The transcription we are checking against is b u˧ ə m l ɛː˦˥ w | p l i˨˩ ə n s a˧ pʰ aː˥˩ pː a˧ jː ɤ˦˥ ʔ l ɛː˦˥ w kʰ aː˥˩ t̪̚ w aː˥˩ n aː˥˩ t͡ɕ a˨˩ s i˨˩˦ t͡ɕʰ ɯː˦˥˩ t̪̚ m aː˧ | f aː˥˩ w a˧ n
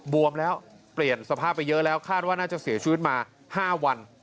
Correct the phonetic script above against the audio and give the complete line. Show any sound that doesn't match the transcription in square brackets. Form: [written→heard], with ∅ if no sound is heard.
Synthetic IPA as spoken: b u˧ ə m l ɛː˦˥ w | p l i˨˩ ə n s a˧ pʰ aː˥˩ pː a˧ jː ɤ˦˥ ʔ l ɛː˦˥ w kʰ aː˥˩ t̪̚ w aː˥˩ n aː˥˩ t͡ɕ a˨˩ s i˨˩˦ t͡ɕʰ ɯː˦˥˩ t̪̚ m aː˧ | [f→h] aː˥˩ w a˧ n